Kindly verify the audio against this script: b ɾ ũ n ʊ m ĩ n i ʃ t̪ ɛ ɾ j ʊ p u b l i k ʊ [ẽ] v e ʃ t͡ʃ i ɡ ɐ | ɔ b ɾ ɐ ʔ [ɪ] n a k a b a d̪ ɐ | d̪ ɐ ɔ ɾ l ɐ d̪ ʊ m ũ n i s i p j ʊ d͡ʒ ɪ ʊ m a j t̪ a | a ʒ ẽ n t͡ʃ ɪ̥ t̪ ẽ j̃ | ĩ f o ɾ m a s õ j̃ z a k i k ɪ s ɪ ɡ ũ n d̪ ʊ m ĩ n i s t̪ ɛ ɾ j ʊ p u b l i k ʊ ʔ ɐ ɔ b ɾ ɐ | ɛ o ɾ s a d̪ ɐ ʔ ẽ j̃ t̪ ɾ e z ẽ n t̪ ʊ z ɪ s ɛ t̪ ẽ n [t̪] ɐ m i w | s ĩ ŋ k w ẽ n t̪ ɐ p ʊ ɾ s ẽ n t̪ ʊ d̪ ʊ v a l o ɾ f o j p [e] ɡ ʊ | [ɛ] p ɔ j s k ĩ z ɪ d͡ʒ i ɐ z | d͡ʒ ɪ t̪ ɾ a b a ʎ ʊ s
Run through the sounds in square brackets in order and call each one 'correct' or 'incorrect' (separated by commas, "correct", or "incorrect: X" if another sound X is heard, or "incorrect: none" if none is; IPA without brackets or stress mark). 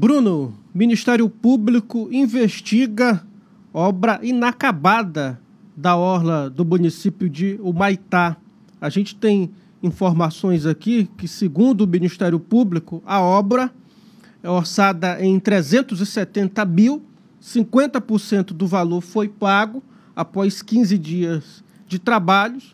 incorrect: ĩ, incorrect: i, correct, incorrect: a, incorrect: a